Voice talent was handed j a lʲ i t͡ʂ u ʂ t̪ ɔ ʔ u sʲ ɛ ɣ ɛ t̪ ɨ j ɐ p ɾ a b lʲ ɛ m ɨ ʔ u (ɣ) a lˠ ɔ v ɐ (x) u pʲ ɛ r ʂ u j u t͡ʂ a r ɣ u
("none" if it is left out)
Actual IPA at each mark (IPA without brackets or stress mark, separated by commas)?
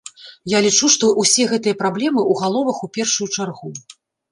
ɣ, x